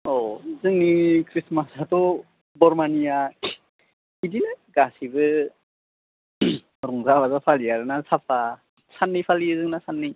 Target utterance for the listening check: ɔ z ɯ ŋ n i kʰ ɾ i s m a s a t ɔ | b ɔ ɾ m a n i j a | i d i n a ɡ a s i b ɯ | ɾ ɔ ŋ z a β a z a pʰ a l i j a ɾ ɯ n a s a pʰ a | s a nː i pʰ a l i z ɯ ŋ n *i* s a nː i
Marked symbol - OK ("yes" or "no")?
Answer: no